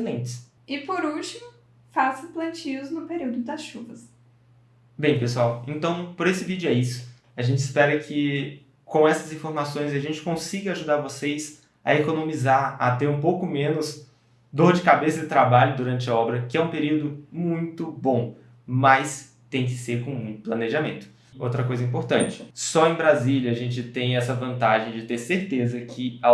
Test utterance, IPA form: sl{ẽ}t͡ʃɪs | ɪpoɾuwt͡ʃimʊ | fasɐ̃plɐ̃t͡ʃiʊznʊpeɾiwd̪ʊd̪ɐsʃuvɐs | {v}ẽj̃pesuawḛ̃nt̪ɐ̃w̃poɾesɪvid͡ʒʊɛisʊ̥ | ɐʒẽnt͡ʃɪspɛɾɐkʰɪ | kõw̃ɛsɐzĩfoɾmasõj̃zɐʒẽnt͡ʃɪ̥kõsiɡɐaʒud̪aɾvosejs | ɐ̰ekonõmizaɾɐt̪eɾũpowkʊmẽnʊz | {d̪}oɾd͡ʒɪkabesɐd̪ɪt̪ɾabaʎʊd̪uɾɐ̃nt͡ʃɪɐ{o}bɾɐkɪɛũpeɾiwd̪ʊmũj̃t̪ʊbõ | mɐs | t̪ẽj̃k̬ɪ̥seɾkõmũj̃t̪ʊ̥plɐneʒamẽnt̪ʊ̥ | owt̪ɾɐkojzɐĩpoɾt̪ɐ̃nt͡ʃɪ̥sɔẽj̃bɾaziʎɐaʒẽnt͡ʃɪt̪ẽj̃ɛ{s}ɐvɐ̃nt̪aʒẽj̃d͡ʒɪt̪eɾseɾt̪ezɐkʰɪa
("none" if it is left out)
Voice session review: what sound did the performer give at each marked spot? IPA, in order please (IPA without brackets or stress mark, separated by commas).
ẽ, b, d̪, ɔ, s